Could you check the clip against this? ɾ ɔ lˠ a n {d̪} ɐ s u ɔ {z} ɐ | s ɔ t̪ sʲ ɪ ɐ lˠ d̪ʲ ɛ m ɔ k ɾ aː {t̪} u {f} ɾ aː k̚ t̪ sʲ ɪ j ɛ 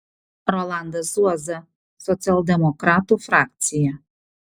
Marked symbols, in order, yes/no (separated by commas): yes, yes, yes, yes